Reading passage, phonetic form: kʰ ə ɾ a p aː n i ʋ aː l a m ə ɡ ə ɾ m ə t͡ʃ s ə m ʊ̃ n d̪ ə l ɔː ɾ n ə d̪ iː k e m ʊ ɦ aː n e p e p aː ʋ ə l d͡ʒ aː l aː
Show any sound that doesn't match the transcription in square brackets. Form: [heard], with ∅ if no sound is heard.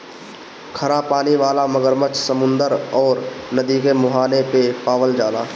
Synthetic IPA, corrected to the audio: kʰ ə ɾ a p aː n i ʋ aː l a m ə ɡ ə ɾ m ə t͡ʃ s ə m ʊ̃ n d̪ ə [ɾ] ɔː ɾ n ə d̪ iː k e m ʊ ɦ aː n e p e p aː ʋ ə l d͡ʒ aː l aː